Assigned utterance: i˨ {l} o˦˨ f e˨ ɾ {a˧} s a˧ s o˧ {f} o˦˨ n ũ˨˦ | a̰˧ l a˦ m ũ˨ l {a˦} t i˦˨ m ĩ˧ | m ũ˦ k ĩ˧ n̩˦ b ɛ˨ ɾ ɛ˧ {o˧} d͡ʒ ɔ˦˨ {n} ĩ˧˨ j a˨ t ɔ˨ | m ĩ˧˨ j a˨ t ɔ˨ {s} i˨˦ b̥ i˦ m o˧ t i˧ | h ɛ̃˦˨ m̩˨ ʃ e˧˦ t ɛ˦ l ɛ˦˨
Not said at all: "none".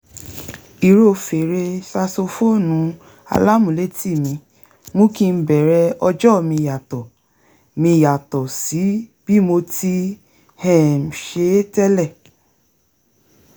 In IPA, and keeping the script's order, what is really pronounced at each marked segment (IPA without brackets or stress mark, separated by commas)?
ɾ, e˧, f, e˦, ɔ˧, m, s